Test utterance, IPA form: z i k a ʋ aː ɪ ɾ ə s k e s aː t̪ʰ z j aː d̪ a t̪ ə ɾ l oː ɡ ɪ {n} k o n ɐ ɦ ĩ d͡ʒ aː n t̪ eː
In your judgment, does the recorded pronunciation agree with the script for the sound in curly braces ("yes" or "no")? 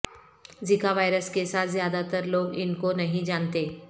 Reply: yes